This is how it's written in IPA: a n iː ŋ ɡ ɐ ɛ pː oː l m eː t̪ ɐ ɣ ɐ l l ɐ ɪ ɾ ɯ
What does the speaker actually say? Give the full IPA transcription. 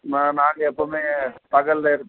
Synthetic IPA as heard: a n aː ŋ ɡ ɐ ɛ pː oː m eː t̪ ɐ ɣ ɐ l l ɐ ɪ ɾ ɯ